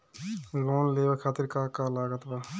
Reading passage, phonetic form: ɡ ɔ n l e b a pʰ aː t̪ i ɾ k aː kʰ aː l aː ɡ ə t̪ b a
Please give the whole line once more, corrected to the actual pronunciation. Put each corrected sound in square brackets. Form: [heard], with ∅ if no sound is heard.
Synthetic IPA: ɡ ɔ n l e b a [kʰ] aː t̪ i ɾ k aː [k] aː l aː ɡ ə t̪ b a